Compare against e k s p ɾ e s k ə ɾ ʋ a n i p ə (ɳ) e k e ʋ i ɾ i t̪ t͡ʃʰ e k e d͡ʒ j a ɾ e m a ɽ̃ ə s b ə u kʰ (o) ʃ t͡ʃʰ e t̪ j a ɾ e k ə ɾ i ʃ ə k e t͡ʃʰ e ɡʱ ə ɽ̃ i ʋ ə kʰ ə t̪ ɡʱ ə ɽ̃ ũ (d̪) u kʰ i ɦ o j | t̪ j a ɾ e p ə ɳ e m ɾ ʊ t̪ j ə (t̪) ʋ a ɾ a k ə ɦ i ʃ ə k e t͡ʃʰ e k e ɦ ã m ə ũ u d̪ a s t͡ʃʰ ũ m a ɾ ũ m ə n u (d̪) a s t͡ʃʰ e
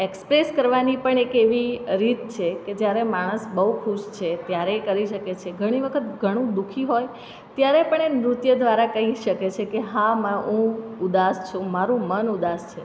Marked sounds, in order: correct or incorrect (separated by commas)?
correct, incorrect, correct, incorrect, correct